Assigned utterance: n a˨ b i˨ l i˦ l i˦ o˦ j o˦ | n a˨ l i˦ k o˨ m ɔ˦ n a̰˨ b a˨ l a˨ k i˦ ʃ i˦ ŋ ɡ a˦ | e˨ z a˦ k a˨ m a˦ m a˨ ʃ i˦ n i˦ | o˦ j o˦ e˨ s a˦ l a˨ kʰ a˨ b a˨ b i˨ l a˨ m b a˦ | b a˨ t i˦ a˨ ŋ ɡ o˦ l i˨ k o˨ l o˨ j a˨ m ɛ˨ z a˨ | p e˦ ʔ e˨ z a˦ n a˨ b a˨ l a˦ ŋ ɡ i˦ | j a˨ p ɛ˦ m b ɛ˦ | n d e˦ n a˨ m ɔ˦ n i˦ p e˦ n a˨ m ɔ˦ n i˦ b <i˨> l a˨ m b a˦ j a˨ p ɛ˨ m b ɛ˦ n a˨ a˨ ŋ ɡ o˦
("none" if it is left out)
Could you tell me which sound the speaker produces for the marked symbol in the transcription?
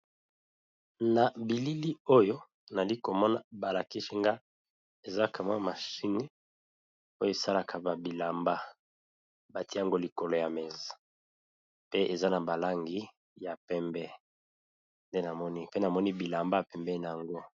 i˨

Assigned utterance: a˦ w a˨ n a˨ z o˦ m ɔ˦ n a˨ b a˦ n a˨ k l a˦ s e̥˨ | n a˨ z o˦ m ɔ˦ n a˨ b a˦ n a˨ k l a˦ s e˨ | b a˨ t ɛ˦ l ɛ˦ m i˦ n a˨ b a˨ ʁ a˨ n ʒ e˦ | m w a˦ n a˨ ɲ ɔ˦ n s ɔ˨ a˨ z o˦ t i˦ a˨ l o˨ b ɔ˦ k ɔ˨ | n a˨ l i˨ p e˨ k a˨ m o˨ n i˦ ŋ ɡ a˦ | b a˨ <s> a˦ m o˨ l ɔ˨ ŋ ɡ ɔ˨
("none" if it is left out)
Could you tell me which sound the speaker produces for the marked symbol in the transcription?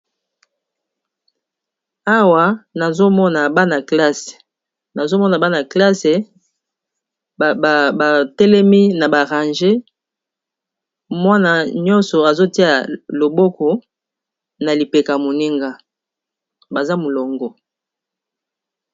z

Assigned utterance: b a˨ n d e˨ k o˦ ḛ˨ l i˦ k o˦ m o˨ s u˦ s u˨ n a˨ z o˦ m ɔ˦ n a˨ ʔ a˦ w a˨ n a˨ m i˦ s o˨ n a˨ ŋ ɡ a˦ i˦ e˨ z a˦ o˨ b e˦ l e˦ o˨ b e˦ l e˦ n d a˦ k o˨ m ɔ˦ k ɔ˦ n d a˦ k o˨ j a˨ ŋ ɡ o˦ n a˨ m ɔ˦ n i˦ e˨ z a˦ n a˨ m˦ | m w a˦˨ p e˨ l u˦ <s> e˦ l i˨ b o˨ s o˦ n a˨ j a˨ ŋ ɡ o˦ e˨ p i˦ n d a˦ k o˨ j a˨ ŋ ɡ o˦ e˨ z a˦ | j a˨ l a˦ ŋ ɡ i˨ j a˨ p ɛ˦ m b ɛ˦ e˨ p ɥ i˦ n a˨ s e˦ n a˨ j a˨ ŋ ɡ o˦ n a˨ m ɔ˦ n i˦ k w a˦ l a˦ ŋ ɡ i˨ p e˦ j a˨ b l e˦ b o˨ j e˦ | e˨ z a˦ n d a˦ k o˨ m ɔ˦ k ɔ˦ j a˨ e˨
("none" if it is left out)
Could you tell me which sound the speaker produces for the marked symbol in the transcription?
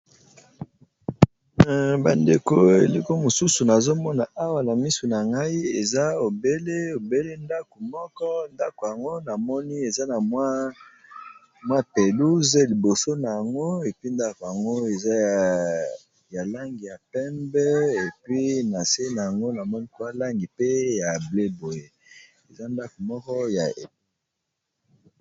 z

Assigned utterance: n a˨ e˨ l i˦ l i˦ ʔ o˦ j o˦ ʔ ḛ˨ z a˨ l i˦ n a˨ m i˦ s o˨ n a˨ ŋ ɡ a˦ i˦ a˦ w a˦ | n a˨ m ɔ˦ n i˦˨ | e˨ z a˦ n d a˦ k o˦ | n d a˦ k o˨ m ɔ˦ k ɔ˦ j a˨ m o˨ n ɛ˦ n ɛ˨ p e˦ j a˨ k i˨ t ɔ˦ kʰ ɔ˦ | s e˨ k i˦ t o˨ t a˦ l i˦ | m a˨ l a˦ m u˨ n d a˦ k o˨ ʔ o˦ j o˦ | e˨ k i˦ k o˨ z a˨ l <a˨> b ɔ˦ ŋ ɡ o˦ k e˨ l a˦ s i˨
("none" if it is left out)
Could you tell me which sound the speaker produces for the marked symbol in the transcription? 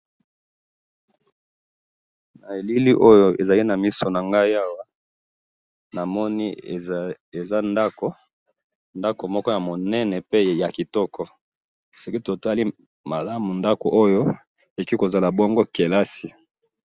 a˨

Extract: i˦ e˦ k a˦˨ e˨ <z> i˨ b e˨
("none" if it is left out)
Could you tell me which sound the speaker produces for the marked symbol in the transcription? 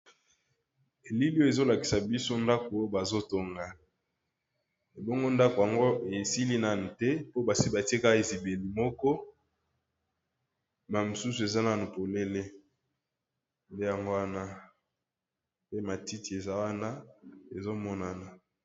z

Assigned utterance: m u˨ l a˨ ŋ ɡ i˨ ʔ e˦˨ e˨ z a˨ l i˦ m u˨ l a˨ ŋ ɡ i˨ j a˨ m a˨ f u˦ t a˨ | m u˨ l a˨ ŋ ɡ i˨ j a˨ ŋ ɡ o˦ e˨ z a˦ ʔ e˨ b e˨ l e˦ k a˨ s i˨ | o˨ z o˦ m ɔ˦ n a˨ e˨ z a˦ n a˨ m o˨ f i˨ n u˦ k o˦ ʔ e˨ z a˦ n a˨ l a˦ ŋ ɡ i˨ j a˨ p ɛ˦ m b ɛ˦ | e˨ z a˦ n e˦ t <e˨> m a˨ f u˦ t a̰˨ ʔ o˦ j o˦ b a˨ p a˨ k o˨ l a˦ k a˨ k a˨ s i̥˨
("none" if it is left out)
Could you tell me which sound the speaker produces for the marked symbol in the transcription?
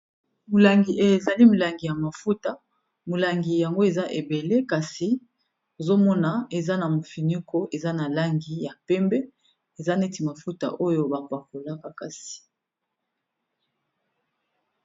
i˨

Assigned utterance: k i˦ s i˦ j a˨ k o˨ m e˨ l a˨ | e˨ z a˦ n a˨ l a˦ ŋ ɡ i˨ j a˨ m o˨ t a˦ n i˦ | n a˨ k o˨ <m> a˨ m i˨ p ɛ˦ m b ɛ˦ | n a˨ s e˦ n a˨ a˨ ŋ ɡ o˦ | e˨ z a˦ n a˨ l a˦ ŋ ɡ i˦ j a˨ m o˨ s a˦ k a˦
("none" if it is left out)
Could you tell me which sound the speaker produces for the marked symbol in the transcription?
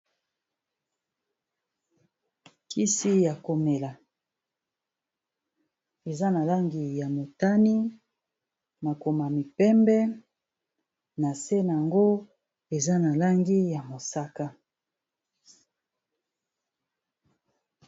m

